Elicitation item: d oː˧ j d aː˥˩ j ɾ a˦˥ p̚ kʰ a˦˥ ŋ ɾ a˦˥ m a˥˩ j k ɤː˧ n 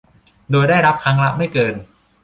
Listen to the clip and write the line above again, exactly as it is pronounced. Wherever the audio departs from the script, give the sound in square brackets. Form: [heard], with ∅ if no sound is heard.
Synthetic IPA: d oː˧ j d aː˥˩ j ɾ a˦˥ p̚ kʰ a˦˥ ŋ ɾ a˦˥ m a˥˩ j k ɤː˧ n